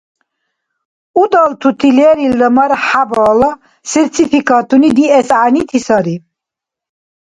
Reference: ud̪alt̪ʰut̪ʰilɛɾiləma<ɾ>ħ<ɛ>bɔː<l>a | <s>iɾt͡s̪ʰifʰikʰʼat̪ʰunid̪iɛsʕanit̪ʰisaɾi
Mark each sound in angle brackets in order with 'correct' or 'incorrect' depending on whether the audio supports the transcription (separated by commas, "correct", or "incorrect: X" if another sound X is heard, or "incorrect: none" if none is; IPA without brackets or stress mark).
correct, incorrect: a, correct, correct